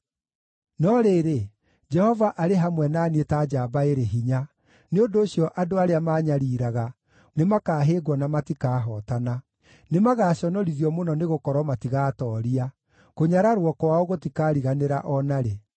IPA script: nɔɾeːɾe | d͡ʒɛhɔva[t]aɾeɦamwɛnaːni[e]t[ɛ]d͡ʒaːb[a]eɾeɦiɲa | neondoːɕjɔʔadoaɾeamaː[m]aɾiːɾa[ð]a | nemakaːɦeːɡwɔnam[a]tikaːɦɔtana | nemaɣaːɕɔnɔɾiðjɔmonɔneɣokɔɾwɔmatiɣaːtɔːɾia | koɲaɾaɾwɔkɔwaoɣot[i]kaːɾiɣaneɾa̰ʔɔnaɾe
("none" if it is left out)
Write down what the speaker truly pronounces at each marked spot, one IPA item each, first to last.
ʔ, e, a, a, ɲ, ɣ, a, i

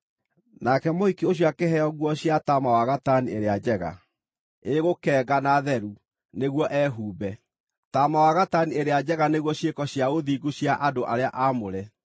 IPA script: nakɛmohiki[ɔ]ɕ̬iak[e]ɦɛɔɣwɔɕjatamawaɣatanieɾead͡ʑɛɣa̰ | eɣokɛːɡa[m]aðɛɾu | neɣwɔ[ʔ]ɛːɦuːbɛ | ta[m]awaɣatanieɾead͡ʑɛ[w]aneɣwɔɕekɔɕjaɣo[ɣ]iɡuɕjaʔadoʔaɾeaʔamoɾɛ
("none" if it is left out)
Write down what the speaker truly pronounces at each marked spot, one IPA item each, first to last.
o, e, n, ʔ, m, ɣ, ð

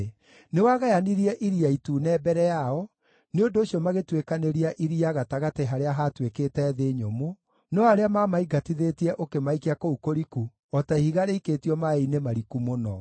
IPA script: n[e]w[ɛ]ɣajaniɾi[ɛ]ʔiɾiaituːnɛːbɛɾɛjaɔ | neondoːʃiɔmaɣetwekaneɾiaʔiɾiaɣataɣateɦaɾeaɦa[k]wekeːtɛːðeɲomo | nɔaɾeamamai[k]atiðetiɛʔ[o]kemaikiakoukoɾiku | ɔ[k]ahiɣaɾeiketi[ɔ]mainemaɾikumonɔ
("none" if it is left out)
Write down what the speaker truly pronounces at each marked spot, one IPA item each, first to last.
e, a, ɛ, t, ɡ, o, t, ɔ

